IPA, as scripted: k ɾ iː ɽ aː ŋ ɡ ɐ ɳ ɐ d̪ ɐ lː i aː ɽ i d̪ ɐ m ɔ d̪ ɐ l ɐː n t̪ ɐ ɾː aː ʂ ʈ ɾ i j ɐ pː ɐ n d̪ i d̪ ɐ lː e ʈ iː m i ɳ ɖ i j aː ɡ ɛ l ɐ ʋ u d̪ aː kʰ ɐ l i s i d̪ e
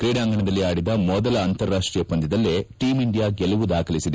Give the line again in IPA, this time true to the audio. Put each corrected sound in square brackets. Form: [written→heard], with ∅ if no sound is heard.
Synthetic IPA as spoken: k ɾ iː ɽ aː ŋ ɡ ɐ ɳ ɐ d̪ ɐ lː i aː ɽ i d̪ ɐ m ɔ d̪ ɐ l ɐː n t̪ ɐ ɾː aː ʂ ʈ ɾ i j ɐ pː ɐ n d̪ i d̪ ɐ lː e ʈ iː m i ɳ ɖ i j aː ɡ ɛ l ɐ ʋ u d̪ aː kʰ ɐ l i s i d̪ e